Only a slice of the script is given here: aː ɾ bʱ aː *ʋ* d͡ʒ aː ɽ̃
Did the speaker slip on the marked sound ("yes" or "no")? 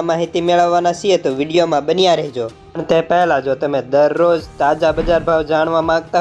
no